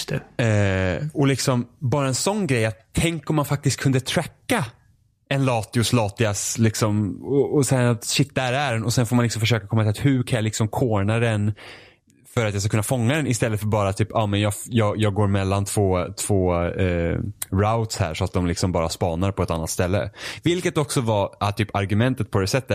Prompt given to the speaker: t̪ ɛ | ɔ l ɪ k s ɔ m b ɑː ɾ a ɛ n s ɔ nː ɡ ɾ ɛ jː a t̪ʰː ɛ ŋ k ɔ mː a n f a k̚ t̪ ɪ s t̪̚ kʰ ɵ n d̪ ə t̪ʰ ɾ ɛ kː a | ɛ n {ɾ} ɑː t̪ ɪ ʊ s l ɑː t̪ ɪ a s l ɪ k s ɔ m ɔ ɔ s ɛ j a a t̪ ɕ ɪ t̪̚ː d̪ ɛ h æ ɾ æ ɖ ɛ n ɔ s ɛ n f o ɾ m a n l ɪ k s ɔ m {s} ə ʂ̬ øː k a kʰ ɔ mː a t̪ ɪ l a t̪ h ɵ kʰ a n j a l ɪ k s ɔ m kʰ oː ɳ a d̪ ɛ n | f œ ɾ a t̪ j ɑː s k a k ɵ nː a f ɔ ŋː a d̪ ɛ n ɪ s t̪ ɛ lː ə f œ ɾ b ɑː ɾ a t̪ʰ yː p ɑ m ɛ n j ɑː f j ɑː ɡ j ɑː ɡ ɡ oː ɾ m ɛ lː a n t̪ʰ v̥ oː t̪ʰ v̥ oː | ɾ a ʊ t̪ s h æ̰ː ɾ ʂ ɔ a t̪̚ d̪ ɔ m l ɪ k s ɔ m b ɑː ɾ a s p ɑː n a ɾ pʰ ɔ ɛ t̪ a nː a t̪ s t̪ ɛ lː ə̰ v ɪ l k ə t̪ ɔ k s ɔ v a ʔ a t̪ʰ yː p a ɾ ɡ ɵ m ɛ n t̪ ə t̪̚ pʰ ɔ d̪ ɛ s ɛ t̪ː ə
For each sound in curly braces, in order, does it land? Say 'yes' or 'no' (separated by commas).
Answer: no, no